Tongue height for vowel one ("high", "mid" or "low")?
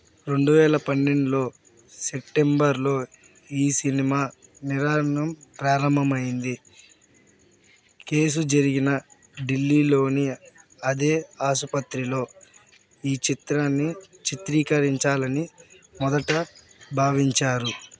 mid